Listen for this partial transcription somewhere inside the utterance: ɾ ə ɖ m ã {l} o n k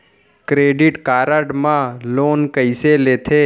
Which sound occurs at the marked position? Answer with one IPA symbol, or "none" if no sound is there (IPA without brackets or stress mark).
l